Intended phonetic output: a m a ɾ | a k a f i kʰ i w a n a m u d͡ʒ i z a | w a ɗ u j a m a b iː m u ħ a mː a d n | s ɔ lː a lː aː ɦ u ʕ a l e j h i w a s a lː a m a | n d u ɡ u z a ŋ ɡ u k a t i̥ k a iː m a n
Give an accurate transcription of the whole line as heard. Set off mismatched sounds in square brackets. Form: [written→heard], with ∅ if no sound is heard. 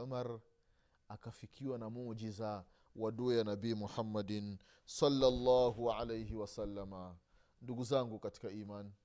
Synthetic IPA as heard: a m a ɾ | a k a f i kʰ i w a n a m u d͡ʒ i z a | w a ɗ u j a [m→n] a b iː m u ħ a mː a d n | s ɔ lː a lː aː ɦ u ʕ a l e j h i w a s a lː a m a | n d u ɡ u z a ŋ ɡ u k a t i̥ k a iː m a n